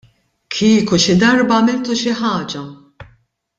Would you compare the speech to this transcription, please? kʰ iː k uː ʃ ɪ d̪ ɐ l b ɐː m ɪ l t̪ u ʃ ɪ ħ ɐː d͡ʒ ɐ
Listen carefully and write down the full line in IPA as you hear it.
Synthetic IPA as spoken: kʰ iː k u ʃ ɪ d̪ ɐ ɾ b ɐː m ɪ l t̪ u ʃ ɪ ħ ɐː d͡ʒ ɐ